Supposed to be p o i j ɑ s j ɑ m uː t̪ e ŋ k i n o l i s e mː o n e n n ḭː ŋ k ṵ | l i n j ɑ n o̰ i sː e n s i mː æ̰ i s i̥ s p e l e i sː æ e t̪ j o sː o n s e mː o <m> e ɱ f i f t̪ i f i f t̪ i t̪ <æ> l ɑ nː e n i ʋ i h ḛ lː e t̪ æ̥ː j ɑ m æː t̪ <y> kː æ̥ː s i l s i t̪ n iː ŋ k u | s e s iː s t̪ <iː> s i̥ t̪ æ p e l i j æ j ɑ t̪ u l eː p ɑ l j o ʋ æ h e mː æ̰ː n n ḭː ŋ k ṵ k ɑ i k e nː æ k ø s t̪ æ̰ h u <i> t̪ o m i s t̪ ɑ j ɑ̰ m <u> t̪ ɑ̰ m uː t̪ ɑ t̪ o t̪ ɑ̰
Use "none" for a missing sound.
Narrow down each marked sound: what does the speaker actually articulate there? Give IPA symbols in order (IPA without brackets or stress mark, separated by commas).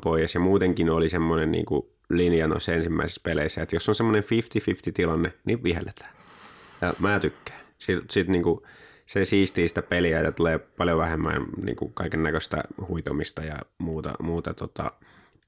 n, i, y, iː, i, uː